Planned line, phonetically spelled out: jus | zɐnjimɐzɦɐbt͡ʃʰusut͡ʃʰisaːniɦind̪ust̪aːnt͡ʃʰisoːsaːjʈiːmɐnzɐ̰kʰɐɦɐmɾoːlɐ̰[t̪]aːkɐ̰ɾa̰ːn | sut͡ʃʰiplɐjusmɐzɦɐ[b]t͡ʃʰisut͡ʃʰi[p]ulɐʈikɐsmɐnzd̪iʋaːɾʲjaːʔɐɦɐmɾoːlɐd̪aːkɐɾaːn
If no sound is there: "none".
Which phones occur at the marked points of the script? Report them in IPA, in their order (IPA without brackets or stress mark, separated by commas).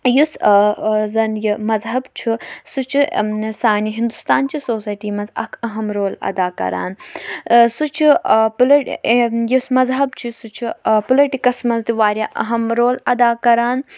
d̪, b, p